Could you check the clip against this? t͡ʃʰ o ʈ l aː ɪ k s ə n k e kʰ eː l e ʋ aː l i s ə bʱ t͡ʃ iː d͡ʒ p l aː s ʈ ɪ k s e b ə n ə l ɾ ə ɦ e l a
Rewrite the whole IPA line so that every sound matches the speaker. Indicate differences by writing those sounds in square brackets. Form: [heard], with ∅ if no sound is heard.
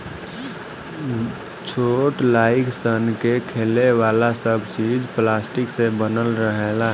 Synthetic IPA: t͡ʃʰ o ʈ l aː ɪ k s ə n k e kʰ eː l e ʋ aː l [a] s ə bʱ t͡ʃ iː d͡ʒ p l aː s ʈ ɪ k s e b ə n ə l ɾ ə ɦ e l a